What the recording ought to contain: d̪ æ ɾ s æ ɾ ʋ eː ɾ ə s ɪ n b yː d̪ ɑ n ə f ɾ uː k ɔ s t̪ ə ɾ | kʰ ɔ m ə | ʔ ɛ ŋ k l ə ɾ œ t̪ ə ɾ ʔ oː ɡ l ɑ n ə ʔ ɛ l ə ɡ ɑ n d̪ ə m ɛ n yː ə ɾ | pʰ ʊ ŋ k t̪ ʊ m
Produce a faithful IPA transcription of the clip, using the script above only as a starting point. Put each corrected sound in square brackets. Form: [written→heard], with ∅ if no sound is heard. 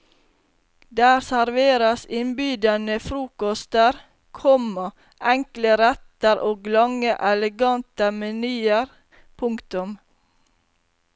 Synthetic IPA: d̪ [æ→æː] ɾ s æ ɾ ʋ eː ɾ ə s ɪ n b yː d̪ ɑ n ə f ɾ uː k ɔ s t̪ ə ɾ | kʰ ɔ m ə | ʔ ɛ ŋ k l ə ɾ [œ→ɛ] t̪ ə ɾ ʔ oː ɡ l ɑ [n→ŋ] ə ʔ ɛ l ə ɡ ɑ n [d̪→t̪] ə m ɛ n yː ə ɾ | pʰ ʊ ŋ k t̪ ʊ m